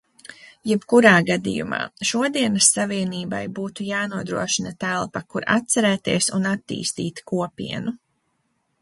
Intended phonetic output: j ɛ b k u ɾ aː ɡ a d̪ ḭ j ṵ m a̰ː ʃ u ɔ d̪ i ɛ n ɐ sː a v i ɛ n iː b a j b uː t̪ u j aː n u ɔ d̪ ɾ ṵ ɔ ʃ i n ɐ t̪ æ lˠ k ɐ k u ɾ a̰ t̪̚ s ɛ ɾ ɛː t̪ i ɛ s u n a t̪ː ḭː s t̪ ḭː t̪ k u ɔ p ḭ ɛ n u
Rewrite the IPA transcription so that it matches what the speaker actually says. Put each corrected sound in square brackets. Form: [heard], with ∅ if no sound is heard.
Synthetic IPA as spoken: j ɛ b k u ɾ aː ɡ a d̪ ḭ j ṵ m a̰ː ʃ u ɔ d̪ i ɛ n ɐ sː a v i ɛ n iː b a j b uː t̪ u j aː n u ɔ d̪ ɾ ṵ ɔ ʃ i n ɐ t̪ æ lˠ [p] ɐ k u ɾ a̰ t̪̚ s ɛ ɾ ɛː t̪ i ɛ s u n a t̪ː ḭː s t̪ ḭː t̪ k u ɔ p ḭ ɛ n u